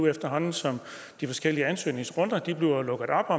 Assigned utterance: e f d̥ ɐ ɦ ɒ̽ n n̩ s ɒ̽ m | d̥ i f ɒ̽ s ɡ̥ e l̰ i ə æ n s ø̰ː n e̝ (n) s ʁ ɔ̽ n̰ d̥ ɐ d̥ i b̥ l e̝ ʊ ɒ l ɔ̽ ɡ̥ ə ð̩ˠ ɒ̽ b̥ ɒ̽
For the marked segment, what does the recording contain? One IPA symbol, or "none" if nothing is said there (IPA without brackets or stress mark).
ŋ